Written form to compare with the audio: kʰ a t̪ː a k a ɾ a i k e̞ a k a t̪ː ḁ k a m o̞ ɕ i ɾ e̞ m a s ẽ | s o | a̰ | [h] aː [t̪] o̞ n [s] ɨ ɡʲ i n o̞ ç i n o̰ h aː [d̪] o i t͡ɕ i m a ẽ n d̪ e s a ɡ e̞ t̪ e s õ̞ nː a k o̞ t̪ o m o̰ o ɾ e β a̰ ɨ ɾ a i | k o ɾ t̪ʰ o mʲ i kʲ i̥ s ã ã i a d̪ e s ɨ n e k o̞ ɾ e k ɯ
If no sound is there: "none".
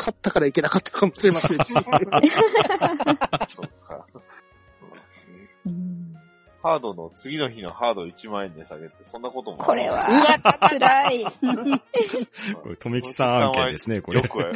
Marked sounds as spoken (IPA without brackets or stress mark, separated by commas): h, d̪, t͡s, d̪